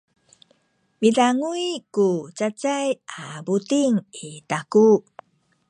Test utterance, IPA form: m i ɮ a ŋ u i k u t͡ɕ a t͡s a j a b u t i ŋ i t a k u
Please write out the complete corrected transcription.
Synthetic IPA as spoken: m i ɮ a ŋ u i k u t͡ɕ a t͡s a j a b u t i ŋ i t a k u